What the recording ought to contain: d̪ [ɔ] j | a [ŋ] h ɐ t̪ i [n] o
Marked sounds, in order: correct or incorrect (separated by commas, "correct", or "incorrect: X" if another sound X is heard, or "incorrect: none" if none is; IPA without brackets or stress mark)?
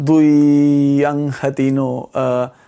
incorrect: u, correct, correct